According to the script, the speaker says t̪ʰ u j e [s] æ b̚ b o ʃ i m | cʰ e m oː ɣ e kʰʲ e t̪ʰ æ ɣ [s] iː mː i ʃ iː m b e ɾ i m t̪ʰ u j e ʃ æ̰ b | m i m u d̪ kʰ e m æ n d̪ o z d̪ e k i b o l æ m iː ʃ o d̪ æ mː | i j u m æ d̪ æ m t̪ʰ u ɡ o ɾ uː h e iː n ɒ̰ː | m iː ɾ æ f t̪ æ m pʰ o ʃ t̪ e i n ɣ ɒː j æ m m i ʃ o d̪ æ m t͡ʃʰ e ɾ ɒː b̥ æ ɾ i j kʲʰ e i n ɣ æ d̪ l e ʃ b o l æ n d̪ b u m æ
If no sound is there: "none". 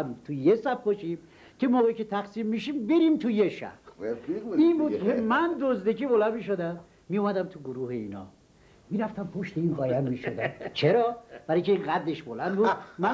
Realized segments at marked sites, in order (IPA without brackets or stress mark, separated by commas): s, s